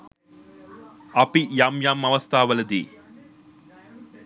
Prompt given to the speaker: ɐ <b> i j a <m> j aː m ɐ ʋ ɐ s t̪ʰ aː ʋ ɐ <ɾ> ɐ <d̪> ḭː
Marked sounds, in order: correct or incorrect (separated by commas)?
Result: incorrect, correct, incorrect, correct